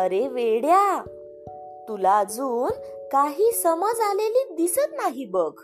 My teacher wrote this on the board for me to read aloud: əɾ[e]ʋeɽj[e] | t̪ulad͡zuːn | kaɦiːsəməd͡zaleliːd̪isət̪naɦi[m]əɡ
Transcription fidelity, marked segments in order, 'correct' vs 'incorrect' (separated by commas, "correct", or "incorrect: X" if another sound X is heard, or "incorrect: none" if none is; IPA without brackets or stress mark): correct, incorrect: a, incorrect: b